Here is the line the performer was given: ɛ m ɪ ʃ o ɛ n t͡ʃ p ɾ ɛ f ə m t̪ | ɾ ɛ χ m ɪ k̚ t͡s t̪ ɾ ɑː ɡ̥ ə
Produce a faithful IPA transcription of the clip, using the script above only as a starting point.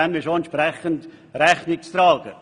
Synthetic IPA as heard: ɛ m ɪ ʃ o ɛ n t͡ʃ p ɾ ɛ χ ə n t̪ | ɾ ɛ χ n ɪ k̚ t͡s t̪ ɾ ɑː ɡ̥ ə